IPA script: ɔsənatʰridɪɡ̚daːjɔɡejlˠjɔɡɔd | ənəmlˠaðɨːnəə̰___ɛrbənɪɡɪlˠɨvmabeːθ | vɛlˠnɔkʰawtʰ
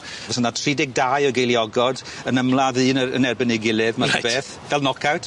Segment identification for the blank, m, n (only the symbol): n